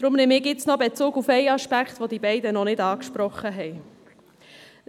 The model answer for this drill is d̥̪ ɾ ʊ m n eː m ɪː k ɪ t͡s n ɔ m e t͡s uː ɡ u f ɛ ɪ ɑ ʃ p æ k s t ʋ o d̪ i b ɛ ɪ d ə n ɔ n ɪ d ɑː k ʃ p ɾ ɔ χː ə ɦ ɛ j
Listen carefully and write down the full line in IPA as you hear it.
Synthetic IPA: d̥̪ ɾ ʊ m n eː m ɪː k ɪ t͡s n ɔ b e t͡s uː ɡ u f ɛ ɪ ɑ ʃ p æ k χ t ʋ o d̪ i b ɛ ɪ d ə n ɔ n ɪ d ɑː k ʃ p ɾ ɔ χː ə ɦ ɛ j